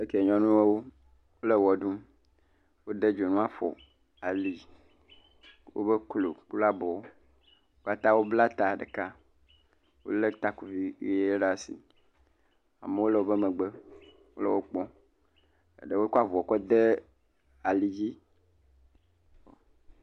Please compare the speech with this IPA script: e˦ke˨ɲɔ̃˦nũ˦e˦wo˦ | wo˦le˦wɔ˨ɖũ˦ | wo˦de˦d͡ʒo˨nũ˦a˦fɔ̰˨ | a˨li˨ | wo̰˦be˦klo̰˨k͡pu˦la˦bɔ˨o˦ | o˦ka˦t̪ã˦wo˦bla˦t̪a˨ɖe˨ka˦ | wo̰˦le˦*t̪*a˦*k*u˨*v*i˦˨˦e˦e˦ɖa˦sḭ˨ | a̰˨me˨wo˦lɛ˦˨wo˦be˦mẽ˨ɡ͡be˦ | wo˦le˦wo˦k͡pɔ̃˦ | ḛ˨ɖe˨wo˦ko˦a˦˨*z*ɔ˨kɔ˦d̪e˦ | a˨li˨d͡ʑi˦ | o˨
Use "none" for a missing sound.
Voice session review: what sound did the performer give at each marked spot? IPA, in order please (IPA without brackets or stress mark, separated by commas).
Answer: t̪, k, v, v